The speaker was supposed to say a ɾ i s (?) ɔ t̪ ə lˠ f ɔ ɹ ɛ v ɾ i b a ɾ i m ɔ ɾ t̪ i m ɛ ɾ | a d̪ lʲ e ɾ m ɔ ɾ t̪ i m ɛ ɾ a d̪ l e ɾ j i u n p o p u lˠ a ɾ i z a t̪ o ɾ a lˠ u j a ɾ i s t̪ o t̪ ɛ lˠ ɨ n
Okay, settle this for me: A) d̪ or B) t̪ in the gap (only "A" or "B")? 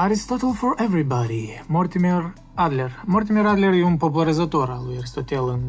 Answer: B